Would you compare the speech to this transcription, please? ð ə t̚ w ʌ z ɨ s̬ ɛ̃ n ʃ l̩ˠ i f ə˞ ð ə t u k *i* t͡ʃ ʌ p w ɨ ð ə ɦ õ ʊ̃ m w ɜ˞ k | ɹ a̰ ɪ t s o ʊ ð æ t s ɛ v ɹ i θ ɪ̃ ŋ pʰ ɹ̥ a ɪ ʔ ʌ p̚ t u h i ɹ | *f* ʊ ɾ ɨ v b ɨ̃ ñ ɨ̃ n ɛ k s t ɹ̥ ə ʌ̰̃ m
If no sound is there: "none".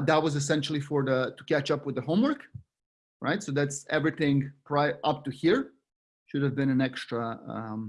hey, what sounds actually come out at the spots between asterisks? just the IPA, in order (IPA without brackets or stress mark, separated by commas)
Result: æ, ʃ